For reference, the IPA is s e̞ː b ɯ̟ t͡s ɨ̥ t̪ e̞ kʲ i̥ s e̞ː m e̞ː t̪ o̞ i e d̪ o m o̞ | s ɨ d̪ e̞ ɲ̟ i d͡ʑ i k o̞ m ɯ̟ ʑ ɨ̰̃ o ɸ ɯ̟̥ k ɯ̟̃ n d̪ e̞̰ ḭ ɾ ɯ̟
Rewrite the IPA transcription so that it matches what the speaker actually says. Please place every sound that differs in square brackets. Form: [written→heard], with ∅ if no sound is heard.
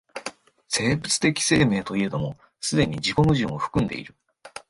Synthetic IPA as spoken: s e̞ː b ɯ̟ t͡s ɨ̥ t̪ e̞ kʲ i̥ s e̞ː m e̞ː t̪ o̞ i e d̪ o m o̞ | s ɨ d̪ e̞ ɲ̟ i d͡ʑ i k o̞ m ɯ̟ ʑ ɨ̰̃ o ɸ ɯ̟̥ k ɯ̟̃ n d̪ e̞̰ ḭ ɾ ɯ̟